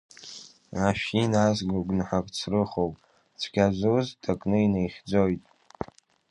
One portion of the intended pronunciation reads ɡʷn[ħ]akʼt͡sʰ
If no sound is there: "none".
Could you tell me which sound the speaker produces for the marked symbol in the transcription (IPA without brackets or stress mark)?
ħ